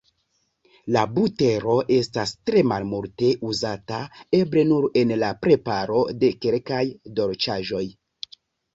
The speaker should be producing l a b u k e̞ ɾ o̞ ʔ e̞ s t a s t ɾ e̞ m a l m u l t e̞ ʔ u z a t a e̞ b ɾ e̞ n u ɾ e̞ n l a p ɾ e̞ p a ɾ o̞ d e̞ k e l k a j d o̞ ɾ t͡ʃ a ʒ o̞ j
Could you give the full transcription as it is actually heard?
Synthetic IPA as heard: l a b u t e̞ ɾ o̞ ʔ e̞ s t a s t ɾ e̞ m a l m u l t e̞ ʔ u z a t a e̞ b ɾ e̞ n u ɾ e̞ n l a p ɾ e̞ p a ɾ o̞ d e̞ k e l k a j d o̞ ɾ t͡ʃ a ʒ o̞ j